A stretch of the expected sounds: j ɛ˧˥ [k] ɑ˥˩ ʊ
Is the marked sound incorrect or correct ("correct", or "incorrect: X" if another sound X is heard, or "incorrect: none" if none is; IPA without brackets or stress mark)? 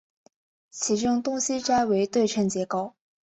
correct